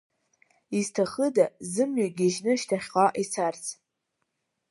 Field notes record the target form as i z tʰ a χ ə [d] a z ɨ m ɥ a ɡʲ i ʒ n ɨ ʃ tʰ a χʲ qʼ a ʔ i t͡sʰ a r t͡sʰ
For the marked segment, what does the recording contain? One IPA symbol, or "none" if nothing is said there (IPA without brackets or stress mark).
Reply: d